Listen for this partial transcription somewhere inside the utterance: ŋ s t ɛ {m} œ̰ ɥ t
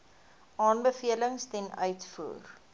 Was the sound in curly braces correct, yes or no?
no